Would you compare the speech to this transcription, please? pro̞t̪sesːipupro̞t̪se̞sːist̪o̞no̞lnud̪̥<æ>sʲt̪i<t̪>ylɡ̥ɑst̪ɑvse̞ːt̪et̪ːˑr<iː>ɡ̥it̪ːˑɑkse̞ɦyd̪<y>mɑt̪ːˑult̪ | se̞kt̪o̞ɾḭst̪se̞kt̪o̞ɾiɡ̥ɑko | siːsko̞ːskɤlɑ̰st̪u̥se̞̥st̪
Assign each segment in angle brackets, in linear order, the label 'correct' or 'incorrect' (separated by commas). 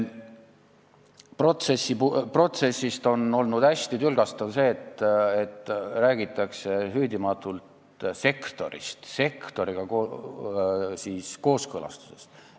correct, correct, incorrect, incorrect